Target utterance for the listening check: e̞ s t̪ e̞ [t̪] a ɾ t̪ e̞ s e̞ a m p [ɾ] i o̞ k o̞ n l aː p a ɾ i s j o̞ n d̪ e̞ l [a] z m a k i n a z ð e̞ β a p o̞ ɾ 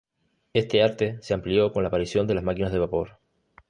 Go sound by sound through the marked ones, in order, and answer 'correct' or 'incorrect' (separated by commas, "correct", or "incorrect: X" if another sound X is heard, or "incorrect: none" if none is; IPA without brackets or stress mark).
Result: incorrect: none, incorrect: l, correct